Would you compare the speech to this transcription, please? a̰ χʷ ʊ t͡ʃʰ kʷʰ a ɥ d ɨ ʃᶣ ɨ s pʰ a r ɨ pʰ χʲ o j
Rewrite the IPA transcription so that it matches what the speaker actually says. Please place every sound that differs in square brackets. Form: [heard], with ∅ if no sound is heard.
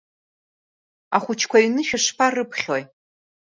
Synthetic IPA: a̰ χʷ ʊ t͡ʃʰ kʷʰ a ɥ [n] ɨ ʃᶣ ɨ [ʂ] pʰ a r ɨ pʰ χʲ o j